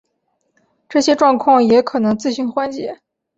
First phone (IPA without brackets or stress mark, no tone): ʈ͡ʂ